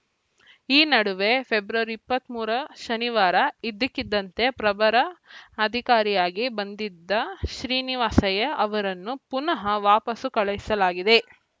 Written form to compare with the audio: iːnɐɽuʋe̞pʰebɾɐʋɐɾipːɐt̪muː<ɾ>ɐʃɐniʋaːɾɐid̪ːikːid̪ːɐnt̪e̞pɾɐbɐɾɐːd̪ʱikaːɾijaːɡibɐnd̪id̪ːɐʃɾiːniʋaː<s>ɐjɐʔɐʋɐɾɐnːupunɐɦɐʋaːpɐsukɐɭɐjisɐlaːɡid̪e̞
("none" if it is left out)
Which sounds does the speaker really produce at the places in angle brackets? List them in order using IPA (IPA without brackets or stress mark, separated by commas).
ɾ, s